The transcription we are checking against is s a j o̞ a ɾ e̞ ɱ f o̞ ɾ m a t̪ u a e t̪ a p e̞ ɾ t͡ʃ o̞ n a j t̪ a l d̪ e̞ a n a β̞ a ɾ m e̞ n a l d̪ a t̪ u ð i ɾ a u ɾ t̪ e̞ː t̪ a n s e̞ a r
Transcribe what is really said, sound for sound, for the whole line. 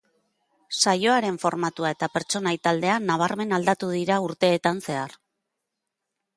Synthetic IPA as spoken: s a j o̞ a ɾ e̞ ɱ f o̞ ɾ m a t̪ u a e t̪ a p e̞ ɾ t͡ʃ o̞ n a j t̪ a l d̪ e̞ a n a β̞ a ɾ m e̞ n a l d̪ a t̪ u ð i ɾ a u ɾ t̪ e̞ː t̪ a n s e̞ a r